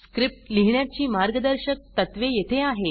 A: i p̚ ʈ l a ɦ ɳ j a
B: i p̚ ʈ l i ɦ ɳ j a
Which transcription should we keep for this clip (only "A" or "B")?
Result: B